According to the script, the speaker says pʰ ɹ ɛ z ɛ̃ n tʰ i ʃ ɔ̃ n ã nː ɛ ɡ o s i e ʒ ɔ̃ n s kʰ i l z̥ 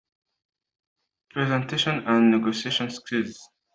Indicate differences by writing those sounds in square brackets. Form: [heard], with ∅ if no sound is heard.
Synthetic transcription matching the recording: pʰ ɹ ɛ z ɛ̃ n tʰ [e] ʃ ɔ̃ n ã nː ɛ ɡ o s i e [ʃ] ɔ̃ n s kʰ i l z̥